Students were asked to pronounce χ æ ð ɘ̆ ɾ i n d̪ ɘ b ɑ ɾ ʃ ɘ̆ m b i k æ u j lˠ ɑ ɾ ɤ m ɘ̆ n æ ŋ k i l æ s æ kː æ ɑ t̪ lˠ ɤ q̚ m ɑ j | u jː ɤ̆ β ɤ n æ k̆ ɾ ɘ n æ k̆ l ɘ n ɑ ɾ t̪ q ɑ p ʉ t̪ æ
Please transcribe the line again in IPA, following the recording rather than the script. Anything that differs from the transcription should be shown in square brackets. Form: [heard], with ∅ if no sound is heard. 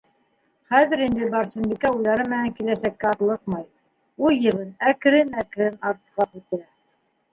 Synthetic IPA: χ æ ð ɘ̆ ɾ i n d̪ ɘ b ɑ ɾ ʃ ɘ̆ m b i k æ u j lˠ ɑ ɾ ɤ m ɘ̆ n æ ŋ k i l æ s æ kː æ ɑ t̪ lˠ ɤ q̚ m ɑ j | u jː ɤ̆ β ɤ n æ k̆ ɾ ɘ n æ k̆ [ɾ] ɘ n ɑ ɾ t̪ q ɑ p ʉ t̪ æ